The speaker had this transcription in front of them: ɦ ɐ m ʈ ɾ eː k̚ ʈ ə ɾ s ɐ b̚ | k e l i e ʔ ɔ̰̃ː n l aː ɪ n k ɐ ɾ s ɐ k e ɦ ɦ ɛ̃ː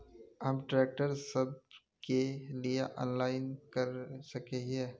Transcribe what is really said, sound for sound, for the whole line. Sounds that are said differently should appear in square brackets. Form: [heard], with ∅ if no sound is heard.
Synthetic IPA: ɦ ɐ m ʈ ɾ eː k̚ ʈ ə ɾ s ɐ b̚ | k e l i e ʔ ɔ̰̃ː n l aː ɪ n k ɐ ɾ s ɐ k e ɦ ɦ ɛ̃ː